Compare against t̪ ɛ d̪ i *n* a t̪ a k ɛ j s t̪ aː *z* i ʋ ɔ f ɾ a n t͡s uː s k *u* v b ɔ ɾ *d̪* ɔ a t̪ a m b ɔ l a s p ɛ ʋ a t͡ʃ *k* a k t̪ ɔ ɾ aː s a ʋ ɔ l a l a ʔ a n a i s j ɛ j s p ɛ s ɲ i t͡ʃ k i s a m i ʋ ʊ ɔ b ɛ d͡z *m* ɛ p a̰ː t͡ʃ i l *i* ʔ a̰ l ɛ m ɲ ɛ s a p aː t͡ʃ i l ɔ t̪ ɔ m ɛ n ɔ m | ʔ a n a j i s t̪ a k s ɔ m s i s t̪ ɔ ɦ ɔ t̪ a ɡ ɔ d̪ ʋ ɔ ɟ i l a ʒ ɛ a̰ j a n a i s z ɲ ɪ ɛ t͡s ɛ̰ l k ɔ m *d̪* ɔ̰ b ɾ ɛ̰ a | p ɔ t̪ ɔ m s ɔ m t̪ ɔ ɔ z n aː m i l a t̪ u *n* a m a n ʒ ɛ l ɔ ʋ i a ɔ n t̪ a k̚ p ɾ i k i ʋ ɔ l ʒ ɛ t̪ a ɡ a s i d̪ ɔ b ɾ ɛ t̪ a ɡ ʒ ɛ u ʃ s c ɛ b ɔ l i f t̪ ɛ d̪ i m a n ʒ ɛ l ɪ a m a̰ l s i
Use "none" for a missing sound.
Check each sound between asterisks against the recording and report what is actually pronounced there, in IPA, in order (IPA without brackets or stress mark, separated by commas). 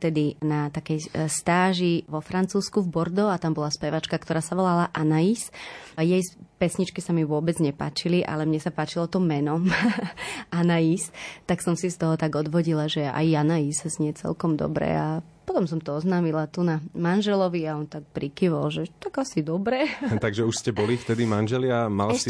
n, ʒ, u, d̪, k, ɲ, i, d̪, n